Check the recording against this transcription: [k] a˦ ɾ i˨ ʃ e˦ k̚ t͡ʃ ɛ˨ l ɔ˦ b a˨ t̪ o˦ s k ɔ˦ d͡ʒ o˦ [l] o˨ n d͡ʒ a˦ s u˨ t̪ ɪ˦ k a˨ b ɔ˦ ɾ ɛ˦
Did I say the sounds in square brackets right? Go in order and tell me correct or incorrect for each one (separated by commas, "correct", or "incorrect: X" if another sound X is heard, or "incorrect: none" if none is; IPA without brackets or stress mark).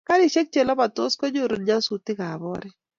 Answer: correct, incorrect: ɾ